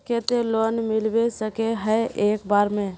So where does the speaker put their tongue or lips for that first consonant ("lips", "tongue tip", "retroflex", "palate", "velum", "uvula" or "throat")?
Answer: velum